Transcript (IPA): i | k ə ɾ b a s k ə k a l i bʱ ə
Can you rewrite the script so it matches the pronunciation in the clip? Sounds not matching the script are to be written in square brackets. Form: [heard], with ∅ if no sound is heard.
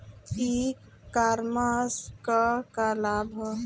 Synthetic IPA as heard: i | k [a] ɾ [m] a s k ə k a l [a] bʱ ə